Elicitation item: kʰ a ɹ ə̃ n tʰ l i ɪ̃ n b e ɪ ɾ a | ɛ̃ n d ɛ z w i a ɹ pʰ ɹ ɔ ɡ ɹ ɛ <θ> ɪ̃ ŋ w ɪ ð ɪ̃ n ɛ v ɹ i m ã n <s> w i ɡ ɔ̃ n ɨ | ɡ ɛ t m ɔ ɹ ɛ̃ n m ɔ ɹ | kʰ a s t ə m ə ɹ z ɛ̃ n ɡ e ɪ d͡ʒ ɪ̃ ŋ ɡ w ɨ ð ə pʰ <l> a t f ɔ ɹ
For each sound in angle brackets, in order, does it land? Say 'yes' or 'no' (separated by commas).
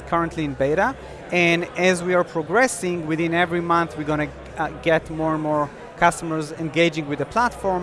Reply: no, no, yes